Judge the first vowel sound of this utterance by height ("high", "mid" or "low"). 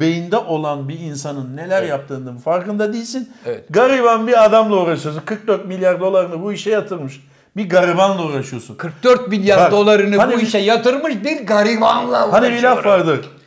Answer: mid